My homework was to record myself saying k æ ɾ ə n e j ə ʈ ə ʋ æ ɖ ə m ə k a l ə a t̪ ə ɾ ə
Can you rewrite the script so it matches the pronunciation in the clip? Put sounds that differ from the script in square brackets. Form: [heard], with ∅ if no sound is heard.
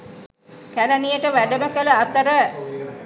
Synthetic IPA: k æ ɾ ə n [i] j ə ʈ ə ʋ æ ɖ ə m ə k [ə] l ə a t̪ ə ɾ ə